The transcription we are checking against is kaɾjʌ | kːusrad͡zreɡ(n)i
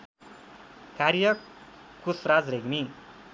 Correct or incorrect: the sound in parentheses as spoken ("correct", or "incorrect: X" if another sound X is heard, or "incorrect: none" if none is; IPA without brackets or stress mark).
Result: incorrect: m